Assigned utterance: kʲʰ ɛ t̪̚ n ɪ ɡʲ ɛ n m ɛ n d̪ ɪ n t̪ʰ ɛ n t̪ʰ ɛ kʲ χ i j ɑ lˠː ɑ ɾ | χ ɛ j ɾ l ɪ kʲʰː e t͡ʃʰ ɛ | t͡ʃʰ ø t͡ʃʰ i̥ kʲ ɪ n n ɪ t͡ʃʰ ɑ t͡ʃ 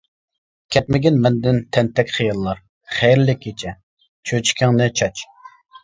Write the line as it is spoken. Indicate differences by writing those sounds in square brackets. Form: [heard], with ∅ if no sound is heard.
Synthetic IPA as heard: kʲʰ ɛ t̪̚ [m] ɪ ɡʲ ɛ n m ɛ n d̪ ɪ n t̪ʰ ɛ n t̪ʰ ɛ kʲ χ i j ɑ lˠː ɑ ɾ | χ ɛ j ɾ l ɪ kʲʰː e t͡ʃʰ ɛ | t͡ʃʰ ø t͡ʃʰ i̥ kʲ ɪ [ŋ] n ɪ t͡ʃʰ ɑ t͡ʃ